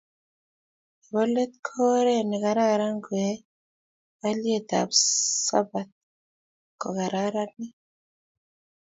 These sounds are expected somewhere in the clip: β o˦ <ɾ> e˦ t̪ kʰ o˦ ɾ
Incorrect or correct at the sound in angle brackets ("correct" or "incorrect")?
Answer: incorrect